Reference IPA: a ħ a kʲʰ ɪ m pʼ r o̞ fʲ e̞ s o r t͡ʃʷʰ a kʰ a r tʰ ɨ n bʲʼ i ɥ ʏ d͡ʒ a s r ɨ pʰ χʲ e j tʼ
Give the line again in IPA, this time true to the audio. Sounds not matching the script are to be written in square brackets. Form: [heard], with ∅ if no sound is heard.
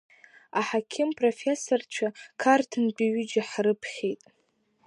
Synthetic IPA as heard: a ħ a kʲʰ ɪ m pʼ r o̞ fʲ e̞ s o r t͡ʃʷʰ a kʰ a r tʰ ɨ n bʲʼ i ɥ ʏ d͡ʒ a [ħ] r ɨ pʰ χʲ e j tʼ